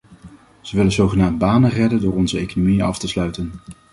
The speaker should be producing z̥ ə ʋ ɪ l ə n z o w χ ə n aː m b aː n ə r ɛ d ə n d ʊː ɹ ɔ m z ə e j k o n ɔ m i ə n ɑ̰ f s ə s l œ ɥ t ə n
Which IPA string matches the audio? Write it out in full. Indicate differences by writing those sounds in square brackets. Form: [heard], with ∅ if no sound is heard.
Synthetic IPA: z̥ ə ʋ ɪ l ə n z o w χ ə n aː m b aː n ə r ɛ d ə n d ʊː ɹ ɔ [n] z ə e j k o n [o] m i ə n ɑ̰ f [t] ə s l œ ɥ t ə n